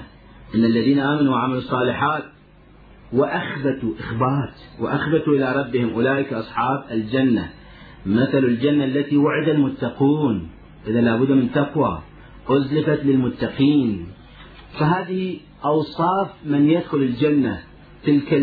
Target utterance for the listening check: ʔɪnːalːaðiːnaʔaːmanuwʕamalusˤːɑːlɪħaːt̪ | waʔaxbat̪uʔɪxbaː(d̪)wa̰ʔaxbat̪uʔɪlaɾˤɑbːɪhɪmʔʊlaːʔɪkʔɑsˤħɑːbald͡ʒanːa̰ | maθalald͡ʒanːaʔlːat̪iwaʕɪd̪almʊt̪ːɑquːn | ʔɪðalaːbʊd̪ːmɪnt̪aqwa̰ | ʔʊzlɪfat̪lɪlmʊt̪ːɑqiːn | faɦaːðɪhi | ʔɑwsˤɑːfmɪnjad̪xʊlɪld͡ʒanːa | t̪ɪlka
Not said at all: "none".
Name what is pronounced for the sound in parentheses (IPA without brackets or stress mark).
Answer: t̪